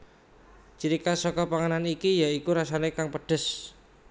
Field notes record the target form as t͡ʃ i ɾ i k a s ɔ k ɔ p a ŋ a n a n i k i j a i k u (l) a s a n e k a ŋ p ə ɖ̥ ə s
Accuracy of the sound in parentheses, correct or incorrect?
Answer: incorrect